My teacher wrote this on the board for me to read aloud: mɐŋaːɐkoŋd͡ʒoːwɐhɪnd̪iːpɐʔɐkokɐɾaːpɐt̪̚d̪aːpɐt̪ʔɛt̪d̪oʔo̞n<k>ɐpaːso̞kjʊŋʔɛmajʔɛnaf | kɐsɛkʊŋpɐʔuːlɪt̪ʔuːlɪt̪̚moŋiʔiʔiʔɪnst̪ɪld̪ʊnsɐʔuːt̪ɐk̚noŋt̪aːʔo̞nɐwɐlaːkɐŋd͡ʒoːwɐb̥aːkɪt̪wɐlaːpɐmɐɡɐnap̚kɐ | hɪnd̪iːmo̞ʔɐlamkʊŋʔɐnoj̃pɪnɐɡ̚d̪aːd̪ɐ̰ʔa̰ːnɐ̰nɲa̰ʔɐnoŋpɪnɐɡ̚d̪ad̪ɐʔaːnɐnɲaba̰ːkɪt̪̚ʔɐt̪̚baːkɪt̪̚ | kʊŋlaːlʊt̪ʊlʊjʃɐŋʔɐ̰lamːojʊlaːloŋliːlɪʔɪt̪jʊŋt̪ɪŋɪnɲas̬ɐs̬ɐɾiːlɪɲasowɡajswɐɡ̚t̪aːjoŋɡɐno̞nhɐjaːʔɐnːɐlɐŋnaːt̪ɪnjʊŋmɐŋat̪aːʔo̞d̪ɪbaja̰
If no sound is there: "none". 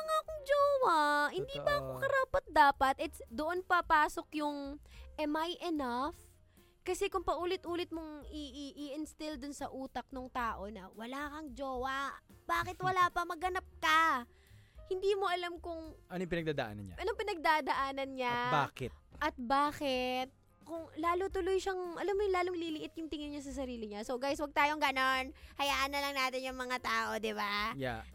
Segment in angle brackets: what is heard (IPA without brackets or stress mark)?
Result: p